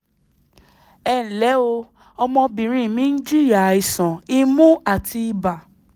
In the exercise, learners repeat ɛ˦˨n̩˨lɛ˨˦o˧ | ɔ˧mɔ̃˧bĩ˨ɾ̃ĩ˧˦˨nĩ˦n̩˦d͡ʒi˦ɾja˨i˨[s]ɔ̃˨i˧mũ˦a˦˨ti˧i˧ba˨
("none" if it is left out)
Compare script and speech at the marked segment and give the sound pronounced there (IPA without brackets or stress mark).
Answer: s